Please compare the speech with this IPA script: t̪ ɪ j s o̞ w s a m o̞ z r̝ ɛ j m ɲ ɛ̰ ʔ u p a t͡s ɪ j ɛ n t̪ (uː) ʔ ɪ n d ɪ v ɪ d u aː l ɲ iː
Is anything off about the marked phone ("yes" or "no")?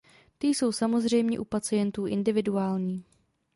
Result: no